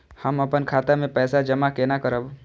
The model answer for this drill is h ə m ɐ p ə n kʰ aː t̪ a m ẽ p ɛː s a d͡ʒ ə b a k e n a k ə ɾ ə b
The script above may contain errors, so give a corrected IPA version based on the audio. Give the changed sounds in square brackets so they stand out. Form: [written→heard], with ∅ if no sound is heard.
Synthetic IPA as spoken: h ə m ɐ p ə n kʰ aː t̪ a m ẽ p ɛː s a d͡ʒ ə [b→m] a k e n a k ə ɾ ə b